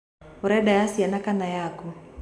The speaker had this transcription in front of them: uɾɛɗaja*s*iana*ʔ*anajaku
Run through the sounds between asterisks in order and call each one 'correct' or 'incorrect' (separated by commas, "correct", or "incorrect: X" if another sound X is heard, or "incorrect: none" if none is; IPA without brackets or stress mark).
correct, incorrect: k